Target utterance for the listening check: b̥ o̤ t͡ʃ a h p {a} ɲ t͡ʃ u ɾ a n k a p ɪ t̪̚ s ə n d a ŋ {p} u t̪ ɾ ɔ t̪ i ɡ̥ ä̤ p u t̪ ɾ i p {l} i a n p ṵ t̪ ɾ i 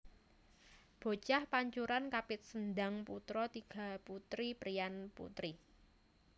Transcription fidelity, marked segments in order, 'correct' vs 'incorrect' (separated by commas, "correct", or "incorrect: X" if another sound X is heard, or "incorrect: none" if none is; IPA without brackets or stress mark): correct, correct, incorrect: ɾ